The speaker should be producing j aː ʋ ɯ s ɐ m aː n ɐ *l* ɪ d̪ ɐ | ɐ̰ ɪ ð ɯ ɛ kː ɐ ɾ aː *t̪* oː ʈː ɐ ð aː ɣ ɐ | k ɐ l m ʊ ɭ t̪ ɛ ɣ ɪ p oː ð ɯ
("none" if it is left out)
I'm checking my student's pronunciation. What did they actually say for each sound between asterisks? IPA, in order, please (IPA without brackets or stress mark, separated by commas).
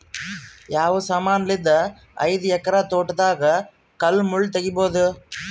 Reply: l, t̪